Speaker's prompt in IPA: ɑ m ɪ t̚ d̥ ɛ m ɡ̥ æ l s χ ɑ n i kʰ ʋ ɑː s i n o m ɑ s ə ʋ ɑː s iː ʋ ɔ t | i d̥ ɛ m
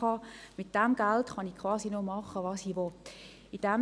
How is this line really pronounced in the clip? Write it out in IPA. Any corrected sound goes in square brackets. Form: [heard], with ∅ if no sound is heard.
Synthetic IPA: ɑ m ɪ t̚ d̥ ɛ m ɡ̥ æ l [t] χ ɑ n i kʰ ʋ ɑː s i n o m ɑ [χ] ə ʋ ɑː s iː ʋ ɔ t | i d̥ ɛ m